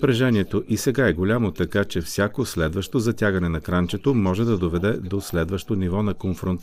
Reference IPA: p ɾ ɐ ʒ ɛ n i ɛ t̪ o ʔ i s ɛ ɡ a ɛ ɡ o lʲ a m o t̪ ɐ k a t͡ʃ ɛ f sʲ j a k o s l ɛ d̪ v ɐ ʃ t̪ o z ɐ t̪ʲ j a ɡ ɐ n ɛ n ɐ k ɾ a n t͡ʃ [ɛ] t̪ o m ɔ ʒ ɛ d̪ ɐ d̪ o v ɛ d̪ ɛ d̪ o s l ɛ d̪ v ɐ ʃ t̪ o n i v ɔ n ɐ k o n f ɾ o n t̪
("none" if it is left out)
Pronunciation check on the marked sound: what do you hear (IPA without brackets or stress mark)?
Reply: ɛ